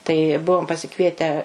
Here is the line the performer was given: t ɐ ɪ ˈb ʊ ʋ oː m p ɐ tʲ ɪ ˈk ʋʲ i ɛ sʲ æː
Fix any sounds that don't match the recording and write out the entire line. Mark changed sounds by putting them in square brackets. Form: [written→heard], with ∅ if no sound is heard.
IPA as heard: t ɐ ɪ ˈb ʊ ʋ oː m p ɐ [tʲ→sʲ] ɪ ˈk ʋʲ i ɛ [sʲ→tʲ] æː